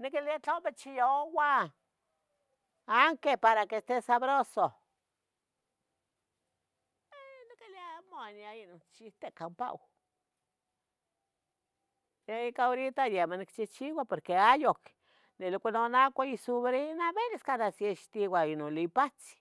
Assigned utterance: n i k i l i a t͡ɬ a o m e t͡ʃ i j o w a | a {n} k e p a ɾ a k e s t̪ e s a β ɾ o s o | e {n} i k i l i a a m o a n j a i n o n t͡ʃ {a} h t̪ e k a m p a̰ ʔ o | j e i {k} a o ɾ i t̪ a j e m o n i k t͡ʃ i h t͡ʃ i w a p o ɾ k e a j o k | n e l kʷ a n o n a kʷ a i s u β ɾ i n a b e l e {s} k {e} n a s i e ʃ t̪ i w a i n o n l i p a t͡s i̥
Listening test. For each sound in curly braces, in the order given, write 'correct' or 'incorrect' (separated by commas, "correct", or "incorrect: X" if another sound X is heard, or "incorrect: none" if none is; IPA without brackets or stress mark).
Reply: incorrect: ŋ, correct, incorrect: i, correct, correct, incorrect: a